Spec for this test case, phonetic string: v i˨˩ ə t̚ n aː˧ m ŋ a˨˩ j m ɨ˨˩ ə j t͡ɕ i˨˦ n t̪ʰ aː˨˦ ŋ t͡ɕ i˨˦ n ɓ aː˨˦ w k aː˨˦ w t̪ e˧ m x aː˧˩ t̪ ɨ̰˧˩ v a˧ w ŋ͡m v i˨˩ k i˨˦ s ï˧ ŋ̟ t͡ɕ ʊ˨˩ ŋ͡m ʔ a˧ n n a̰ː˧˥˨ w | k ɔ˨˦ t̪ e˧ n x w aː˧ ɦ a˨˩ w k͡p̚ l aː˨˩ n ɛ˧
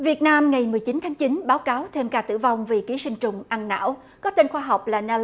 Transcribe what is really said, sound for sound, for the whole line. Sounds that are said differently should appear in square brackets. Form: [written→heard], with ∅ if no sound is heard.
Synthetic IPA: v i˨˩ ə t̚ n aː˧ m ŋ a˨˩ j m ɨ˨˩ ə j t͡ɕ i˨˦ n t̪ʰ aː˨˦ ŋ t͡ɕ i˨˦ n ɓ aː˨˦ w k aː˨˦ w [t̪→t̪ʰ] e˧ m [x→k] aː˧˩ t̪ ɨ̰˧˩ v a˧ w ŋ͡m v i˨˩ k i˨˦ s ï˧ ŋ̟ t͡ɕ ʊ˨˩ ŋ͡m ʔ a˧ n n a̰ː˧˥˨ w | k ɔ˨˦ t̪ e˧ n x w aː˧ ɦ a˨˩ w k͡p̚ l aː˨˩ n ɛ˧

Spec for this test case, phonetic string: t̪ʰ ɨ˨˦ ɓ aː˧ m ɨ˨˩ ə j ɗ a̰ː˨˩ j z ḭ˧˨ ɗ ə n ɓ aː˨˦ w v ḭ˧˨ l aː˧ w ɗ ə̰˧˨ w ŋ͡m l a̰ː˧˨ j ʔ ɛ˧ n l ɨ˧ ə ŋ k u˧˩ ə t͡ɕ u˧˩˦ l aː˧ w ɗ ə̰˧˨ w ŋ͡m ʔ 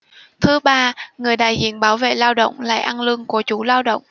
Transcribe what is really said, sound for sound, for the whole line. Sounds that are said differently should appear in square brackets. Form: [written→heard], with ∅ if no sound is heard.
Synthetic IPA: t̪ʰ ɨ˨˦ ɓ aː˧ [m→ŋ] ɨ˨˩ ə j ɗ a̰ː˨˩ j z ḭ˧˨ [ɗ→∅] ə n ɓ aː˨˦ w v [ḭ˧˨→ḛ˧˨] l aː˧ w ɗ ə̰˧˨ w ŋ͡m l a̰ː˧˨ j ʔ [ɛ˧→a˧] n l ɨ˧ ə ŋ k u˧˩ ə t͡ɕ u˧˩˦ l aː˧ w ɗ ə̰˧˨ w ŋ͡m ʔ

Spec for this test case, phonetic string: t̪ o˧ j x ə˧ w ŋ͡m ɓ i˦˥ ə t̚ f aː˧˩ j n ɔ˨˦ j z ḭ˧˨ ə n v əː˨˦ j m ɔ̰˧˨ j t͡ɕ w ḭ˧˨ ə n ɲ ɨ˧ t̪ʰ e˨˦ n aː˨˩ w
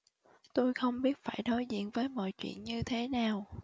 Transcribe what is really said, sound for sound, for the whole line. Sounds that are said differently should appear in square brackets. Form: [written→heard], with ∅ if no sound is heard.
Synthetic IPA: t̪ o˧ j x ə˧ w ŋ͡m ɓ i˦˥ ə t̚ f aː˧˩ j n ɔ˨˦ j z ḭ˧˨ ə n v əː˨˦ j m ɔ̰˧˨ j t͡ɕ w ḭ˧˨ ə n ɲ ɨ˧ t̪ʰ e˨˦ n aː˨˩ w

